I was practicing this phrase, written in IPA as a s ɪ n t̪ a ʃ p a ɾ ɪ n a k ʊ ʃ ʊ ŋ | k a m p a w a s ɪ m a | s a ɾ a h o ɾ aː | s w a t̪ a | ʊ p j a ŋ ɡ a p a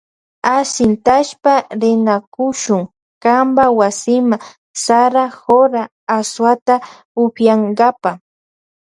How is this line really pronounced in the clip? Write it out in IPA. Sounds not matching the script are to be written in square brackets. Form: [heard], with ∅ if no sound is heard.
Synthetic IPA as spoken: a s ɪ n t̪ a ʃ p a ɾ ɪ n a k ʊ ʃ ʊ ŋ | k a m [b] a w a s ɪ m a | s a ɾ a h o ɾ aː | s w a t̪ a | ʊ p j a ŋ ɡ a p a